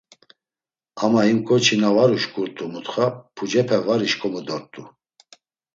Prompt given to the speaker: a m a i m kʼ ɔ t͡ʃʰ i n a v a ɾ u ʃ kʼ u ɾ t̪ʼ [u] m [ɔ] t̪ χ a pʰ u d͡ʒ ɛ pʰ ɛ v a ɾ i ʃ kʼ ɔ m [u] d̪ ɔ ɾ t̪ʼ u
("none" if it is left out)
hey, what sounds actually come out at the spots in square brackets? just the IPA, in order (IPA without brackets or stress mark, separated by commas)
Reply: u, u, u